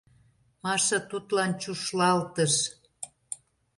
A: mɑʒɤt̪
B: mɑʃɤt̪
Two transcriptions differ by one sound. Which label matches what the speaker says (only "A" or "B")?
B